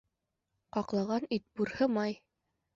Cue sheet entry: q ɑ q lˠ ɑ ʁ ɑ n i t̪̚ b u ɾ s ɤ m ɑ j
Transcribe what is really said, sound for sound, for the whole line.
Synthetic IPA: q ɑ q lˠ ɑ ʁ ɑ n i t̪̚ b u ɾ h ɤ m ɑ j